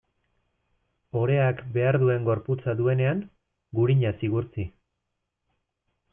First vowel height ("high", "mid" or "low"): mid